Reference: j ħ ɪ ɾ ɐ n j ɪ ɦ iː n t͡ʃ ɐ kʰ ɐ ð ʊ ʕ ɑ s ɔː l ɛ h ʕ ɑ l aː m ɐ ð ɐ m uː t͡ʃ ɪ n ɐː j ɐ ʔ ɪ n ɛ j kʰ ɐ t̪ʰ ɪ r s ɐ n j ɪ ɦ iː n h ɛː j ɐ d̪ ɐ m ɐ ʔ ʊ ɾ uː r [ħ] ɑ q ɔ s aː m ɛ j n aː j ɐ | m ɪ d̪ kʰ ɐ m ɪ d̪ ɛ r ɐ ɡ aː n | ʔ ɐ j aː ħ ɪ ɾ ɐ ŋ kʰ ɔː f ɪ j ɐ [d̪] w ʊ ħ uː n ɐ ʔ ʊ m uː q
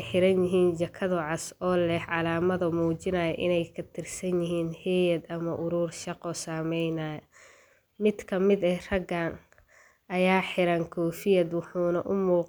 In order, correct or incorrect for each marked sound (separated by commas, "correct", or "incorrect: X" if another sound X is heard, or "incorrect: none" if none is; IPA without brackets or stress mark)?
incorrect: ʃ, correct